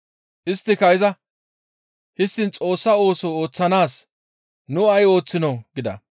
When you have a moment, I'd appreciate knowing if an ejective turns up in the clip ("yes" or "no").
yes